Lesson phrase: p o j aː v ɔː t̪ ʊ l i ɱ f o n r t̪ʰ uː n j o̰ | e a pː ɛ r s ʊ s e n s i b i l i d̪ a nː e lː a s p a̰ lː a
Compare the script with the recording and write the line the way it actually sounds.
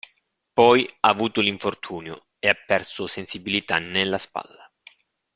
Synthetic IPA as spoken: p ɔ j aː v uː t̪ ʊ l i ɱ f o r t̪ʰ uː n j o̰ | e a pː ɛ r s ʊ s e n s i b i l i t̪ a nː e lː a s p a̰ lː a